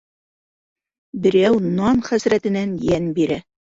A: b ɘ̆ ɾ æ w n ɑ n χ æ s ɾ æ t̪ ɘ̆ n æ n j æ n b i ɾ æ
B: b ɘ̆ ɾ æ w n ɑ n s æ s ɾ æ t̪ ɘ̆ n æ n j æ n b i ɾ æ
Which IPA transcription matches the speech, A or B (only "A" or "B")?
A